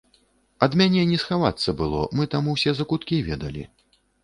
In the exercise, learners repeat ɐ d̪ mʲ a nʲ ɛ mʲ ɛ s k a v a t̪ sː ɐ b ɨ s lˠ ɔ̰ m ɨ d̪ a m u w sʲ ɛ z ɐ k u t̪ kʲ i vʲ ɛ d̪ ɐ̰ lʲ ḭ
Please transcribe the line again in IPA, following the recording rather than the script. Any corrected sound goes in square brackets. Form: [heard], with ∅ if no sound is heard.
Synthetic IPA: ɐ d̪ mʲ a nʲ ɛ [nʲ] ɛ s [x] a v a t̪ sː ɐ b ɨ [∅] lˠ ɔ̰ m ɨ [t̪] a m u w sʲ ɛ z ɐ k u t̪ kʲ i vʲ ɛ d̪ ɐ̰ lʲ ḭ